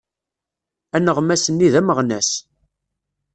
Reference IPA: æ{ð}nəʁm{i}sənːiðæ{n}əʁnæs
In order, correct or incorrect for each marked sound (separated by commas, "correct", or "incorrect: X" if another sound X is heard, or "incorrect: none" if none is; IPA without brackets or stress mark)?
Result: incorrect: none, incorrect: æ, incorrect: m